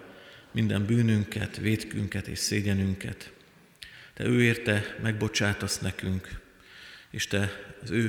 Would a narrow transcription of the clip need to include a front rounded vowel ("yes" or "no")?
yes